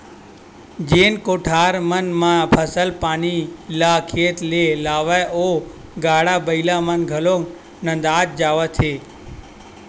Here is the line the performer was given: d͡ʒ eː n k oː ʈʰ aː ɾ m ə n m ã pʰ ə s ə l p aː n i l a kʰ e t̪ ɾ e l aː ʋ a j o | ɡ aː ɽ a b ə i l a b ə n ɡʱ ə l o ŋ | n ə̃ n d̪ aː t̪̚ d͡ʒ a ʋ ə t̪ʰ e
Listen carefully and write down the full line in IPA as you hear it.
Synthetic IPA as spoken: d͡ʒ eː n k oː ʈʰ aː ɾ m ə n m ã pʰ ə s ə l p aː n i l a kʰ e t̪ l e l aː ʋ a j o | ɡ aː ɽ a b ə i l a m ə n ɡʱ ə l o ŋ | n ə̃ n d̪ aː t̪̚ d͡ʒ a ʋ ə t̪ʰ e